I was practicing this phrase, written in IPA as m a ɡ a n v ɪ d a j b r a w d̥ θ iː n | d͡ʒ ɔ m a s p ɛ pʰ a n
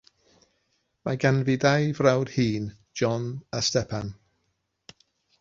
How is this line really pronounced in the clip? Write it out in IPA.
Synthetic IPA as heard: m a ɡ a n v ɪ d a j v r a w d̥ h iː n | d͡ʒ ɔ n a s t ɛ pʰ a n